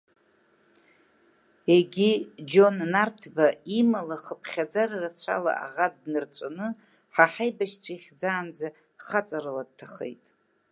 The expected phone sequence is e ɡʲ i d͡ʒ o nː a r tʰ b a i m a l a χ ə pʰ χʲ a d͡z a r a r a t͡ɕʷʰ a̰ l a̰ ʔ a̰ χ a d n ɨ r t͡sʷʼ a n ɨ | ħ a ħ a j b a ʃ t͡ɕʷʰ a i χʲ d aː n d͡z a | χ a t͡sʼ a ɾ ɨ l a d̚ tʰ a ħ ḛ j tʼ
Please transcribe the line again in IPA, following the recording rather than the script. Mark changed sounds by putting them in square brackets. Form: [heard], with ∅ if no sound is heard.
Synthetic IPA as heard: e ɡʲ i d͡ʒ o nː a r tʰ b a i m a l a χ ə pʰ χʲ a d͡z a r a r a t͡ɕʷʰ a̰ l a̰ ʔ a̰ [ʁ] a d n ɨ r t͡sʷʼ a n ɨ | ħ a ħ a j b a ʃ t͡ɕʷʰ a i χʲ [d͡z] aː n d͡z a | χ a t͡sʼ a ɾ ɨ l a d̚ tʰ a [χ] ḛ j tʼ